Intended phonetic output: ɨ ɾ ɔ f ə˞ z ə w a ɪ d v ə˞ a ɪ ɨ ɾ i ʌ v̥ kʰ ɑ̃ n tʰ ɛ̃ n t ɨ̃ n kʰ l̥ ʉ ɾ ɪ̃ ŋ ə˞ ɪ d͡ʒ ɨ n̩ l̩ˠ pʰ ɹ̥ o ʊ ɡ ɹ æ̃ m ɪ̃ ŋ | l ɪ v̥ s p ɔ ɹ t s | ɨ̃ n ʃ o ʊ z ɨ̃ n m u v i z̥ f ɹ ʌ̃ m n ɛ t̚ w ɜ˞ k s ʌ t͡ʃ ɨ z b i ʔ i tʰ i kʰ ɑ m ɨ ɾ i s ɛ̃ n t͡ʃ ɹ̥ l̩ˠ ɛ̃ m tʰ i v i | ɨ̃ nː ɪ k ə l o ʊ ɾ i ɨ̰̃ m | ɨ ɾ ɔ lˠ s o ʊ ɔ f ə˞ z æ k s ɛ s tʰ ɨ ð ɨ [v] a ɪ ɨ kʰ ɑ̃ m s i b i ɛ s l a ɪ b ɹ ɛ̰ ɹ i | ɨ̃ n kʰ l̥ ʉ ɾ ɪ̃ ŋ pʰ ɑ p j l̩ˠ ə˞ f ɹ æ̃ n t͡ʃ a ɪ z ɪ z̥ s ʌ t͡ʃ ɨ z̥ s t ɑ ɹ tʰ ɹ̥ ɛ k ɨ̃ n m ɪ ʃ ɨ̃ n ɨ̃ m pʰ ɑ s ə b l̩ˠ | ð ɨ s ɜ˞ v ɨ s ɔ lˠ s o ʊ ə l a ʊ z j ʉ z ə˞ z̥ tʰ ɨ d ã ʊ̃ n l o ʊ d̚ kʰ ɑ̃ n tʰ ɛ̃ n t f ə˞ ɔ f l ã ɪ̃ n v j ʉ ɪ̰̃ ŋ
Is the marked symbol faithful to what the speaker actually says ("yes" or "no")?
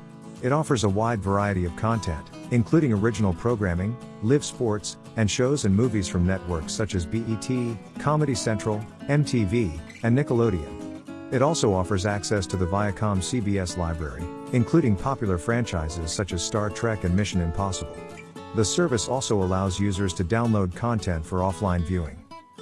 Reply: yes